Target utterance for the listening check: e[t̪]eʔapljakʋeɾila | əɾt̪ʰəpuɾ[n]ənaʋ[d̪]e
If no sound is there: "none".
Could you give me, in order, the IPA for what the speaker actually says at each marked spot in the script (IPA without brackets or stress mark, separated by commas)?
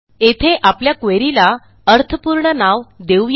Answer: t̪ʰ, ɳ, d̪